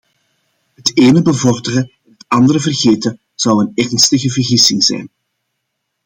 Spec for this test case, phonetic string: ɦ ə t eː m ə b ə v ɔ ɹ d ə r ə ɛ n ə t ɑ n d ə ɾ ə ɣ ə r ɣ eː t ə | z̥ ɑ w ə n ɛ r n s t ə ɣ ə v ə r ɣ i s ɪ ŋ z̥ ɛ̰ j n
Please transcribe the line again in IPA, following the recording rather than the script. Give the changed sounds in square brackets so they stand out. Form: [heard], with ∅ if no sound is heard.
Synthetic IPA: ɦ ə t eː [n] ə b ə v ɔ [r] d ə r ə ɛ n ə t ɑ n d ə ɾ ə [v] ə r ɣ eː t ə | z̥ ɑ w ə n ɛ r n s t ə ɣ ə v ə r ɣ i s ɪ ŋ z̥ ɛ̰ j n